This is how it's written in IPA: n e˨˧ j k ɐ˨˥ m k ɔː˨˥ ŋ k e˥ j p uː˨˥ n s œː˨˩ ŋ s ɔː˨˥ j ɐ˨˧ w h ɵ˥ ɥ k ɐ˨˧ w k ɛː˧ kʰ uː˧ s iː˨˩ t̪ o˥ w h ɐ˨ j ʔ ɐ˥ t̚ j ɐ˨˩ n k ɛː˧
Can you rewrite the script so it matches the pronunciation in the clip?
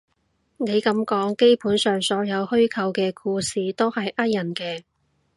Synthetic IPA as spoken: n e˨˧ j k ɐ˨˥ m k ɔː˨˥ ŋ k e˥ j p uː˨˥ n s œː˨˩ ŋ s ɔː˨˥ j ɐ˨˧ w h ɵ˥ ɥ kʰ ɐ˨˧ w k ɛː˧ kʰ uː˧ s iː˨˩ t̪ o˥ w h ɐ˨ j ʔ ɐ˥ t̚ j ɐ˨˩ n k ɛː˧